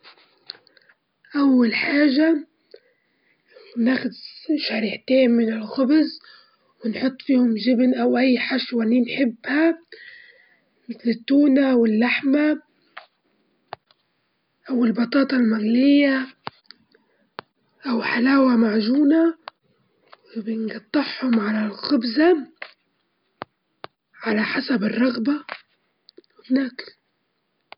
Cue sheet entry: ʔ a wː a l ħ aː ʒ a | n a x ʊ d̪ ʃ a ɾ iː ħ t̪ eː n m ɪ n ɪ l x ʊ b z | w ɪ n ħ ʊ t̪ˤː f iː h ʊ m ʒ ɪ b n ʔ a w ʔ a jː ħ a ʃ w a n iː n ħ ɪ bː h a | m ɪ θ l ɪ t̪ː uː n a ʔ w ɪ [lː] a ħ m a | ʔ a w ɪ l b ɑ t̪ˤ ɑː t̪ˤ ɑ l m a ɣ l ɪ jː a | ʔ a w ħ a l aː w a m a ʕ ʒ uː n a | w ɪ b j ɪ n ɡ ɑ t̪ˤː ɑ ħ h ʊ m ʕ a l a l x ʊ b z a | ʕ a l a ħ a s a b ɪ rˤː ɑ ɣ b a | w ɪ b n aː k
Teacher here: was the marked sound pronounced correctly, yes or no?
yes